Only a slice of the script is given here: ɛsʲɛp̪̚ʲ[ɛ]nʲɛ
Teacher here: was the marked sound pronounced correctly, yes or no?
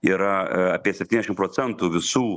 no